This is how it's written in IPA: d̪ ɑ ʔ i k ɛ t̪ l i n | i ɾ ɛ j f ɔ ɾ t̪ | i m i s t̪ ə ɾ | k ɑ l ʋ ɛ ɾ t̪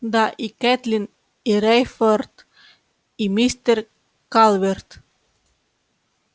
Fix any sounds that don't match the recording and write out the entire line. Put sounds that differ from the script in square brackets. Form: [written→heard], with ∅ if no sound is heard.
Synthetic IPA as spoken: d̪ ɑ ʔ i k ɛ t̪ l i n | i ɾ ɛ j f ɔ ɾ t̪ | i m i s t̪ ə ɾ | k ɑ l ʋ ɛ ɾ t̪